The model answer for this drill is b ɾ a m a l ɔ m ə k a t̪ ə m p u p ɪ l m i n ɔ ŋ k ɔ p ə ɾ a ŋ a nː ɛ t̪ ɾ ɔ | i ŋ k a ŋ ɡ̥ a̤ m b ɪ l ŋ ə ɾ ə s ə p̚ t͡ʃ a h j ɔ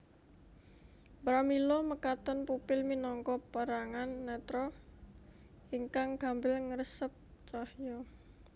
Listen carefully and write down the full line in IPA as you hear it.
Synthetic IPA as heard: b ɾ a m i l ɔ m ə k a t̪ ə n p u p ɪ l m i n ɔ ŋ k ɔ p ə ɾ a ŋ a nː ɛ t̪ ɾ ɔ | i ŋ k a ŋ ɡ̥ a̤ m b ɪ l ŋ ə ɾ ə s ə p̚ t͡ʃ a h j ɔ